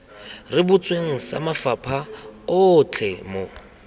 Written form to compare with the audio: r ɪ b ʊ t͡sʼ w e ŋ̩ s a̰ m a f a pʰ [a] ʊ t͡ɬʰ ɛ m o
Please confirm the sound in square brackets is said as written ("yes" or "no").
yes